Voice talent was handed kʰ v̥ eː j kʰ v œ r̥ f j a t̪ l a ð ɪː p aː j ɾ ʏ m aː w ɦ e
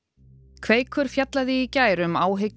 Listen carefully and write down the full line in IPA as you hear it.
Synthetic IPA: kʰ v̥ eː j kʰ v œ ɾ̥ f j a t̪ l a ð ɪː c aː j ɾ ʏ m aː w ɦ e